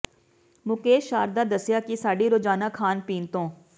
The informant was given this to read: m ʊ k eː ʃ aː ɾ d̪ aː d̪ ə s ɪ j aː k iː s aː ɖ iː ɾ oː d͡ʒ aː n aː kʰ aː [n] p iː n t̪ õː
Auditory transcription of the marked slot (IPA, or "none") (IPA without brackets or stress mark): n